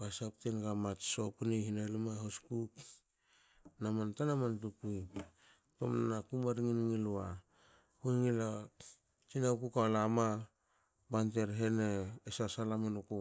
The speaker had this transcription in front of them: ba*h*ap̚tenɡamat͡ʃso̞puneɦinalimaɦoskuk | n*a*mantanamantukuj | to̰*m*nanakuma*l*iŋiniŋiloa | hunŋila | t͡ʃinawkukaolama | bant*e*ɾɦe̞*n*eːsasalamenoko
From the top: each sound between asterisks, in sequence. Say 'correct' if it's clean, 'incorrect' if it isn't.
incorrect, correct, correct, incorrect, correct, correct

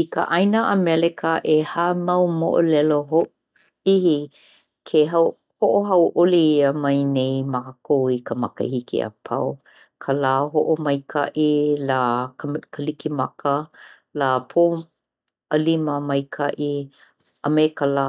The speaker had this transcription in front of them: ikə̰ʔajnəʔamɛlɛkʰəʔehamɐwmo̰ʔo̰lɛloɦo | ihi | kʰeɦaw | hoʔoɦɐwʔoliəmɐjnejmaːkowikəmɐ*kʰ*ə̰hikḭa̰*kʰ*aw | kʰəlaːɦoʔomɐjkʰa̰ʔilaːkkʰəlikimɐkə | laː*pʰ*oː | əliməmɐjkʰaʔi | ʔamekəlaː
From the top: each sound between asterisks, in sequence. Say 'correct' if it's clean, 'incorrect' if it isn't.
incorrect, incorrect, correct

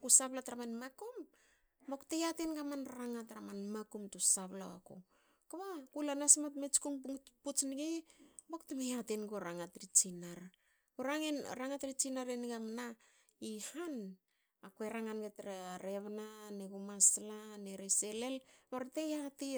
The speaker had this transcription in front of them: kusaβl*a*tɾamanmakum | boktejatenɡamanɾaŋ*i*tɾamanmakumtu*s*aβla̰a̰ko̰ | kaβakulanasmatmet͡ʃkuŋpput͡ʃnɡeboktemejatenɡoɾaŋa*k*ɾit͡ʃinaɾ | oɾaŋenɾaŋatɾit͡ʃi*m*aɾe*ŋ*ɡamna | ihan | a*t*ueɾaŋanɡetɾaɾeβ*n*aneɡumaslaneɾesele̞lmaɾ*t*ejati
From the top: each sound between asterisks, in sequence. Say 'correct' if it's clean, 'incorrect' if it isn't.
correct, incorrect, correct, incorrect, incorrect, incorrect, incorrect, correct, correct

